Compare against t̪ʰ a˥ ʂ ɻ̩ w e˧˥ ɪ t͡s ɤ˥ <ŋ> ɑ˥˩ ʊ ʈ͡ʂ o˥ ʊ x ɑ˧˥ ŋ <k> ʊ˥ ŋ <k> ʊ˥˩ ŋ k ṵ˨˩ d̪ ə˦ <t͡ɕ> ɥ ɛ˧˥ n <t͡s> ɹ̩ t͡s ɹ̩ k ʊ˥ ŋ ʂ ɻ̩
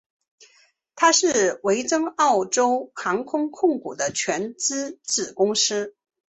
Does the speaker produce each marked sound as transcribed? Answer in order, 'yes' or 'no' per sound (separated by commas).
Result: yes, no, no, no, yes